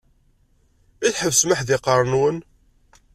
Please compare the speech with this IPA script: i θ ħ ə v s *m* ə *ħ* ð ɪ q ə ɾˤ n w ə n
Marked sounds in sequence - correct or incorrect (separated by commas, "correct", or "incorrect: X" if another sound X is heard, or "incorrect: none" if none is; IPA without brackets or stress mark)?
correct, correct